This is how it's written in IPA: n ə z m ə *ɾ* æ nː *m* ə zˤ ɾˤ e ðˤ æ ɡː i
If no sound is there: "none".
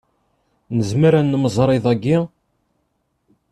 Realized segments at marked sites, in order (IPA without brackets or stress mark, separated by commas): ɾ, m